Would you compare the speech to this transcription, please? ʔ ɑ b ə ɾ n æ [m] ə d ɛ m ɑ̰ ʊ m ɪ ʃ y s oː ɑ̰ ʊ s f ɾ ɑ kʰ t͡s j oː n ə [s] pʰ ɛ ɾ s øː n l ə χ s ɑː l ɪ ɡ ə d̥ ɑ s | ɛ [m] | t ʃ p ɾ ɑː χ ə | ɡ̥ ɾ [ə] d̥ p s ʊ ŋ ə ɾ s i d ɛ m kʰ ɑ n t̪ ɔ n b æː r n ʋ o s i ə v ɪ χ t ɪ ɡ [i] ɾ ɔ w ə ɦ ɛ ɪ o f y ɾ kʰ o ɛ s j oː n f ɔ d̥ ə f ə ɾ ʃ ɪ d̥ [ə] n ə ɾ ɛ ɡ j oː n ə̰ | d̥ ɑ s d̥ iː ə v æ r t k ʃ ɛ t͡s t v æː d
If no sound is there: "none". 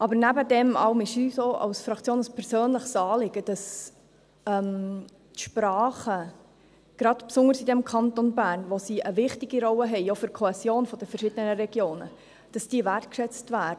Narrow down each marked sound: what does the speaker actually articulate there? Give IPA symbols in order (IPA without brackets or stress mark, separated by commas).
b, s, m, ɑ, i, ə